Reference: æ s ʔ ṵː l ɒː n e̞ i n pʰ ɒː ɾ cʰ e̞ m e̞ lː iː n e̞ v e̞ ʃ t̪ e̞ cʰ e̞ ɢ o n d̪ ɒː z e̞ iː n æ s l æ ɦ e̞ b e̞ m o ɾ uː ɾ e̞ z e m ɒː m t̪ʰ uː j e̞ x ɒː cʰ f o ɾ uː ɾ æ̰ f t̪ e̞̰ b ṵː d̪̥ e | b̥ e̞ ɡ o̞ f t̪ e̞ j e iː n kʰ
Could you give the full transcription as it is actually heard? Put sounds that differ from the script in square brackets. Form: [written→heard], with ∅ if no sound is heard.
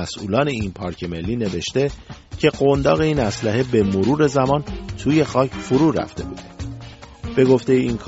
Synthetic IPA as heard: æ s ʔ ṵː l ɒː n e̞ i n pʰ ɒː ɾ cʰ e̞ m e̞ lː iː n e̞ v e̞ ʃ t̪ e̞ cʰ e̞ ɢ o n d̪ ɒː [z→ɣ] e̞ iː n æ s l æ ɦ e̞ b e̞ m o ɾ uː ɾ e̞ z [e→æ] m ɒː [m→n] t̪ʰ uː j e̞ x ɒː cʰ f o ɾ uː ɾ æ̰ f t̪ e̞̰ b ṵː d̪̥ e | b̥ e̞ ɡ o̞ f t̪ e̞ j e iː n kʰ